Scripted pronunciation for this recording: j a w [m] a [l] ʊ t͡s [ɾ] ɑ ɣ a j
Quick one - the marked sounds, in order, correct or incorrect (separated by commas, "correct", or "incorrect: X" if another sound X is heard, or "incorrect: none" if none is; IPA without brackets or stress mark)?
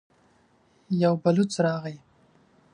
incorrect: b, correct, correct